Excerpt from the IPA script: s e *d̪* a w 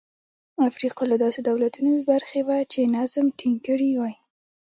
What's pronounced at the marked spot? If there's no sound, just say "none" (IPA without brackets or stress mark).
d̪